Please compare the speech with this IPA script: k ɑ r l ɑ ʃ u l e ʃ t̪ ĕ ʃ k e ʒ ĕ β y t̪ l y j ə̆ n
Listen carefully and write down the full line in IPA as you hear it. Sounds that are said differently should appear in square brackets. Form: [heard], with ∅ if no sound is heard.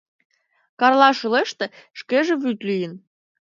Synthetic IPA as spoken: k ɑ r l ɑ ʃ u l e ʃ t̪ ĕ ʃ k e ʒ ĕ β y t̪ l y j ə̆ n